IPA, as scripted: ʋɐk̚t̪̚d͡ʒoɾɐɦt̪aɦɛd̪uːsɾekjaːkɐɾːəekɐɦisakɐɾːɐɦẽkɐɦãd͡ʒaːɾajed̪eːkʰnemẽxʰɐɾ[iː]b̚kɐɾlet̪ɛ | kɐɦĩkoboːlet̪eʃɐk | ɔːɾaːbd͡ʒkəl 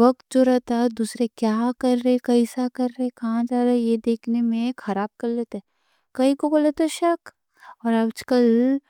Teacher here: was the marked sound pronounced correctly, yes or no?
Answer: no